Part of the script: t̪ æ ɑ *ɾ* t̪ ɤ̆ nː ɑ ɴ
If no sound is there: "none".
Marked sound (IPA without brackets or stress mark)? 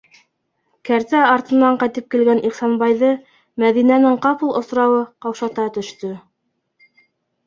ɾ